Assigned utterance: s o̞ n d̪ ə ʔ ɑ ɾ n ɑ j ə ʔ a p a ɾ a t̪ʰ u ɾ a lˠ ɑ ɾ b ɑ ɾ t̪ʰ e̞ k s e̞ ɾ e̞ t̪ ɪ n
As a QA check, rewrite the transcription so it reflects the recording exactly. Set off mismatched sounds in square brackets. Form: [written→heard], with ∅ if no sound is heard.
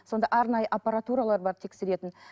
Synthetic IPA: s o̞ n d̪ [ə→ɑ] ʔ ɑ ɾ n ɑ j ə ʔ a p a ɾ a [t̪ʰ→t̪] u ɾ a lˠ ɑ ɾ b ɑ ɾ t̪ʰ e̞ k s e̞ ɾ e̞ t̪ ɪ n